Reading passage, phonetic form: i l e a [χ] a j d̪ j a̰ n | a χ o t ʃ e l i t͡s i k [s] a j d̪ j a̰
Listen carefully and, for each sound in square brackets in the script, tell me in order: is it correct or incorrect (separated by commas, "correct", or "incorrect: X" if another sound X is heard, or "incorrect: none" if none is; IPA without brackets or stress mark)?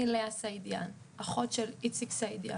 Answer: incorrect: s, correct